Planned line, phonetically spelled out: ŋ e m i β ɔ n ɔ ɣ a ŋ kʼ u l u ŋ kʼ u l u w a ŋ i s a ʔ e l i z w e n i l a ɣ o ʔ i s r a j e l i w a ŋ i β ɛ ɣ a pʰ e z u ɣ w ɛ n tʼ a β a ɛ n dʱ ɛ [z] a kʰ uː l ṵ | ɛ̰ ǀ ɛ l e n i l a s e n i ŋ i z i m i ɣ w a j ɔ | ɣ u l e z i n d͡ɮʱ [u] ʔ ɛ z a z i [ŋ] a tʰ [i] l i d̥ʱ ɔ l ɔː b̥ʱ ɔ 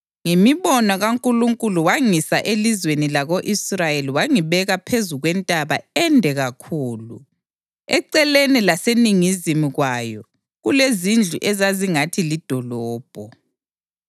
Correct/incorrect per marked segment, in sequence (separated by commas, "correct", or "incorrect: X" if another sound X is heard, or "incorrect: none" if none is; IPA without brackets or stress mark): incorrect: ɣ, correct, correct, correct